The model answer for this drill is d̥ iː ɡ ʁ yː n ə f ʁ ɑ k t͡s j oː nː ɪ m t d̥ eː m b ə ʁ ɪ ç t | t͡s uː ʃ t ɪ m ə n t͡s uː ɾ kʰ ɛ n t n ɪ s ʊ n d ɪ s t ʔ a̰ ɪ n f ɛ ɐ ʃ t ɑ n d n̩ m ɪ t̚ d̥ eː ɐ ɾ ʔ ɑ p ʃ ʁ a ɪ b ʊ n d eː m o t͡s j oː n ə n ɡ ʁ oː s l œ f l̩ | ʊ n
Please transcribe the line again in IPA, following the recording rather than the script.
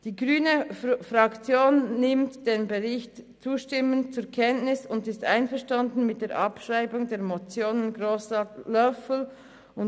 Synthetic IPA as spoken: d̥ iː ɡ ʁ yː n ə f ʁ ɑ k t͡s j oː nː ɪ m t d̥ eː n b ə ʁ ɪ ç t | t͡s uː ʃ t ɪ m ə n t͡s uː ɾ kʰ ɛ n t n ɪ s ʊ n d ɪ s t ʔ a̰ ɪ n f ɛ ɐ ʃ t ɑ n d n̩ m ɪ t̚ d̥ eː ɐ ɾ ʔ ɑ p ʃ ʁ a ɪ b ʊ ŋ d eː m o t͡s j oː n ə n ɡ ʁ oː s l œ f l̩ | ʊ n